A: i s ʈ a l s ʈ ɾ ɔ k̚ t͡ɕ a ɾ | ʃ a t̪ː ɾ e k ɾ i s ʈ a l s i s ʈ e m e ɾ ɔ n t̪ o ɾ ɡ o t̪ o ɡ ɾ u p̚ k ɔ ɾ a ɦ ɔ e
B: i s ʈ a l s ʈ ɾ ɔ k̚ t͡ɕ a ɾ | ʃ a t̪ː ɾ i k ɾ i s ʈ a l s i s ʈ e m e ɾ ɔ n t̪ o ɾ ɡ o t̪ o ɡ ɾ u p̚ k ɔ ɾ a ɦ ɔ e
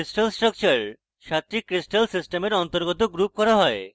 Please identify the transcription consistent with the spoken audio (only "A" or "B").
B